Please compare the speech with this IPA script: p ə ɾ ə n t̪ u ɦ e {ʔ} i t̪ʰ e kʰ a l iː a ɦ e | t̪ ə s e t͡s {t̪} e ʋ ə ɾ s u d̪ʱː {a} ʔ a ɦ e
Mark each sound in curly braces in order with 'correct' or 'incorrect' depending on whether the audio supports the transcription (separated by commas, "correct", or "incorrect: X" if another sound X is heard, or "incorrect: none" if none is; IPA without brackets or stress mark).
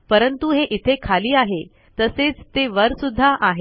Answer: correct, correct, correct